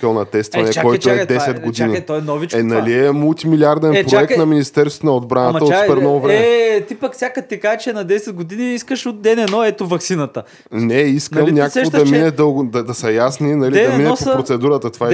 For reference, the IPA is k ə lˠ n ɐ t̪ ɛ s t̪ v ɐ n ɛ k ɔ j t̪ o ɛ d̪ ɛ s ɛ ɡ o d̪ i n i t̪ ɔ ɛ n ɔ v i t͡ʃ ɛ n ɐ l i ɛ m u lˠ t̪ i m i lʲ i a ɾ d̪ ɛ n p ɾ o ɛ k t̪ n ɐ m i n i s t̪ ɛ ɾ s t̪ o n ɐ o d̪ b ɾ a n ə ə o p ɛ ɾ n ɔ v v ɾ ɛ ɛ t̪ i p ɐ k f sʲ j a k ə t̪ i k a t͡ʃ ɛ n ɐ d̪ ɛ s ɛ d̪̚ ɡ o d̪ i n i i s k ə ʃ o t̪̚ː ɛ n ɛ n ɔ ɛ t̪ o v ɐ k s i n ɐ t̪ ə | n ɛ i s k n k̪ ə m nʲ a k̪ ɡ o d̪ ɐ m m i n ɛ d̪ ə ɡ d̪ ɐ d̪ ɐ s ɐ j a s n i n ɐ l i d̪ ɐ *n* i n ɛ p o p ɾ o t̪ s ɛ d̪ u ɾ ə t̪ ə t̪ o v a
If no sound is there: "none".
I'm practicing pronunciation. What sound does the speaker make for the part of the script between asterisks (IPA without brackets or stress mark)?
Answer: m